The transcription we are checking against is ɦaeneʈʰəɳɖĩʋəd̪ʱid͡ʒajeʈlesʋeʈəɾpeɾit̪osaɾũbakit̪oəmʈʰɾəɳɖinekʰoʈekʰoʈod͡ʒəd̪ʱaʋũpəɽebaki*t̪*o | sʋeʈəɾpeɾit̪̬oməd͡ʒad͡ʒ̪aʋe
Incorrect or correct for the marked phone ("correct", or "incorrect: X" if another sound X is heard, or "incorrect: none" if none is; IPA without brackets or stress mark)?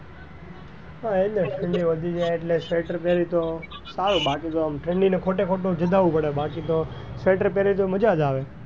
correct